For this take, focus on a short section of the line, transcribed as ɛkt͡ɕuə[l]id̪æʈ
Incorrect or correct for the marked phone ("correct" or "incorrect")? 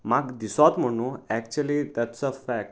correct